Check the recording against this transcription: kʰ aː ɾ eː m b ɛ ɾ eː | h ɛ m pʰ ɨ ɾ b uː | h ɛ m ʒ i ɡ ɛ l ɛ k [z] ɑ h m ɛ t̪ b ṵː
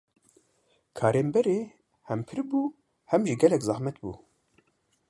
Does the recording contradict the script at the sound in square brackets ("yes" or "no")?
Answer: no